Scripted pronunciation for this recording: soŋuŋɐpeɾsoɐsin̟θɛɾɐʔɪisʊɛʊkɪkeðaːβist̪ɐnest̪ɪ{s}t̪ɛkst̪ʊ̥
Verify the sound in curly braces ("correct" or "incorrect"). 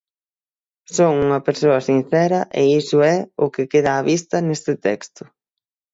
incorrect